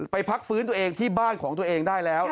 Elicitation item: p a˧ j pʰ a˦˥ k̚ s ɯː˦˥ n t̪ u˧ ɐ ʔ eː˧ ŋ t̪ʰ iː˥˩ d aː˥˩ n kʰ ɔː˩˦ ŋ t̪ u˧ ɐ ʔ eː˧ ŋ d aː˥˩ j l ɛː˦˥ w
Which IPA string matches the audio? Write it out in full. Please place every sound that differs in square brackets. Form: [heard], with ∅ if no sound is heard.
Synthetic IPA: p a˧ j pʰ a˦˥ k̚ [f] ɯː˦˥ n t̪ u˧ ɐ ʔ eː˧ ŋ t̪ʰ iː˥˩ [b] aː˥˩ n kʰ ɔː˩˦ ŋ t̪ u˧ ɐ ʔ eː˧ ŋ d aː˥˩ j l ɛː˦˥ w